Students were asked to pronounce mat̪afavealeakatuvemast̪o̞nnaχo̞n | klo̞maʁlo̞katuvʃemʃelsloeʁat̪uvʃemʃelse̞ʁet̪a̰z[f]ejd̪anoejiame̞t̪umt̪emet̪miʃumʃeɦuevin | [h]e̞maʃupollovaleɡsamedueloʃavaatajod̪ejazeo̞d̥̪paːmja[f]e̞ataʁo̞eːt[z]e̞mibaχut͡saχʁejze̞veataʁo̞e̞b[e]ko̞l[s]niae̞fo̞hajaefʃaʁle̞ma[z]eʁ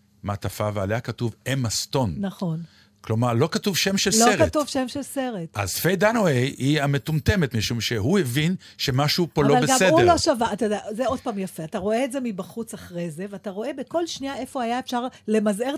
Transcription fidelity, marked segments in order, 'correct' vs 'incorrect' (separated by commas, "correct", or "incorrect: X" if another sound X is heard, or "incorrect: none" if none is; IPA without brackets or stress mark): correct, incorrect: ʃ, correct, correct, correct, incorrect: ʃ, correct